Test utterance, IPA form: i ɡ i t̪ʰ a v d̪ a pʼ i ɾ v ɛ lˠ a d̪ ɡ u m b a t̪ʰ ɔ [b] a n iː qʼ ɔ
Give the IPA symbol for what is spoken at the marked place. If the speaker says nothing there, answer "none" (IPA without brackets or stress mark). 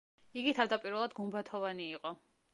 v